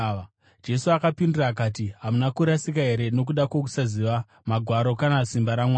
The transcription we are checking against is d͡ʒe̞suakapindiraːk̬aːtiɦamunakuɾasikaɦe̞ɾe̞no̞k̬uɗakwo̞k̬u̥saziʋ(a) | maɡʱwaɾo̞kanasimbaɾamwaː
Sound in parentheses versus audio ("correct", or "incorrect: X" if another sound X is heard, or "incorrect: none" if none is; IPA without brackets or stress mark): correct